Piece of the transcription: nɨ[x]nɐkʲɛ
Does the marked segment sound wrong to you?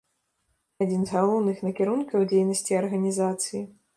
no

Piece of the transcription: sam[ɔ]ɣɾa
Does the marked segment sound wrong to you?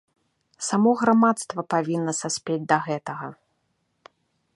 no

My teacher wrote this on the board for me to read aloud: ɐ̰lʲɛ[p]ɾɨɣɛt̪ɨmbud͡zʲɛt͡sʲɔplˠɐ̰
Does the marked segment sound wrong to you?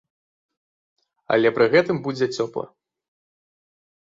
no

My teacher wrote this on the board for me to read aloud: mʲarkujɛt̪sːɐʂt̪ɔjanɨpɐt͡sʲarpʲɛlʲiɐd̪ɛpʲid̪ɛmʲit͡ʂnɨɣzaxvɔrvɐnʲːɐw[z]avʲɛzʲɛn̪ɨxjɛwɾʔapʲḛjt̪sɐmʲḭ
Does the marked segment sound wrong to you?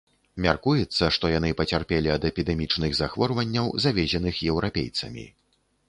no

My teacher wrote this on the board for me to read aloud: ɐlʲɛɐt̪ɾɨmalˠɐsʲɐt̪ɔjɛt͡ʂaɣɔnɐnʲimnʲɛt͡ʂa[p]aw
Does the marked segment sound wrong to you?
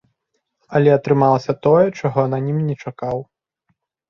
yes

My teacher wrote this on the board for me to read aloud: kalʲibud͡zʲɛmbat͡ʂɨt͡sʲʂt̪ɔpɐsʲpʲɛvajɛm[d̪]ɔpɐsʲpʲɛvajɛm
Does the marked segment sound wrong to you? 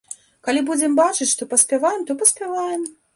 yes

